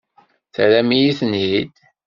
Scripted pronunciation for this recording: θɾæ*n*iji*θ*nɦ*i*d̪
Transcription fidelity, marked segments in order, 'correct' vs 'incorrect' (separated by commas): incorrect, correct, correct